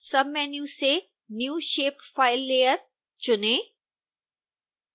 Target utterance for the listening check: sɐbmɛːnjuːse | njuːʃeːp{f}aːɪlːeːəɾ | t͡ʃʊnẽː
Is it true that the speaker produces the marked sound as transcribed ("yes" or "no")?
yes